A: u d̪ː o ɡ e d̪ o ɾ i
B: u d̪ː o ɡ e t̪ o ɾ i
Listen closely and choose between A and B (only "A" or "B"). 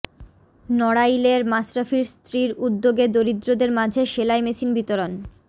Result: A